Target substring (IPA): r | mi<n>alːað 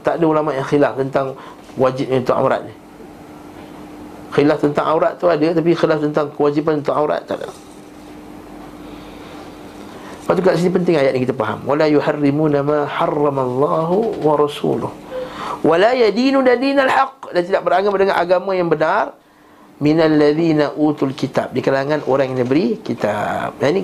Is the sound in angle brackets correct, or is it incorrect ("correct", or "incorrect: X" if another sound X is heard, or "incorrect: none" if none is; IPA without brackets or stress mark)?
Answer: correct